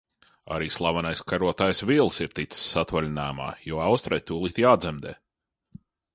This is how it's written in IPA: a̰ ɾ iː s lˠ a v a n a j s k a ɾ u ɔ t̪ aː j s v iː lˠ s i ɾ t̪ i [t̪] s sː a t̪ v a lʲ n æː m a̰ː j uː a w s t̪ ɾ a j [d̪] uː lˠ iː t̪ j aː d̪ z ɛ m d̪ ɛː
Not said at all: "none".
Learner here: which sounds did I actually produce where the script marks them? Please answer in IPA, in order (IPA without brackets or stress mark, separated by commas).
t̪, t̪